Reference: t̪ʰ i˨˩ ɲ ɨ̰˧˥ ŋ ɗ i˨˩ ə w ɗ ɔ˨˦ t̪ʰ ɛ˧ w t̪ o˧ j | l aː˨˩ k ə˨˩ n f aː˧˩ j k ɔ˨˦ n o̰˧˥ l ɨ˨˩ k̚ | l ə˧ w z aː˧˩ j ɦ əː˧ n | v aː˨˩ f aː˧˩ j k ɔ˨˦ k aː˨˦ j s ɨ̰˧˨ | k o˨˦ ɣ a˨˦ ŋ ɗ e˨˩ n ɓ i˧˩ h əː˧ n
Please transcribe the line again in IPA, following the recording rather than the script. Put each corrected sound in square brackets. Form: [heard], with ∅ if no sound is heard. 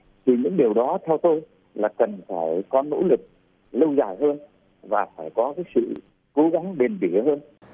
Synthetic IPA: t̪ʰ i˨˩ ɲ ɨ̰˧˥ ŋ ɗ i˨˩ ə w ɗ ɔ˨˦ t̪ʰ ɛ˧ w t̪ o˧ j | l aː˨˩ k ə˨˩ n f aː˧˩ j k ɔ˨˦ n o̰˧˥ l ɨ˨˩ k̚ | l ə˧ w z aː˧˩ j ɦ əː˧ n | v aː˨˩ f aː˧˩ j k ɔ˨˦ k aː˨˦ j s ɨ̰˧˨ | k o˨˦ ɣ a˨˦ ŋ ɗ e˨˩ n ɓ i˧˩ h əː˧ n